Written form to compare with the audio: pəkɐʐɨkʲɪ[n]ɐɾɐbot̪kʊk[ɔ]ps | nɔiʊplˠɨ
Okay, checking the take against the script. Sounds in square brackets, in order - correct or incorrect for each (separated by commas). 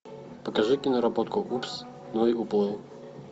correct, incorrect